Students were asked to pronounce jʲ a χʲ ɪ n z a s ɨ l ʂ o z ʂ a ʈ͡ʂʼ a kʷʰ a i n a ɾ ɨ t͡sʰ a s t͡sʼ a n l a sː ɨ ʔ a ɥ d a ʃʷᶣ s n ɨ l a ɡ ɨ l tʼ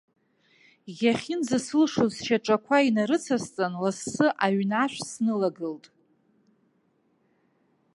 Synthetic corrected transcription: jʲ a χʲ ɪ n z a s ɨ l ʂ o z ʃ a ʈ͡ʂʼ a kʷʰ a i n a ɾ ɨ t͡sʰ a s t͡sʼ a n l a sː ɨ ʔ a ɥ n a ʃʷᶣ s n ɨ l a ɡ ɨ l tʼ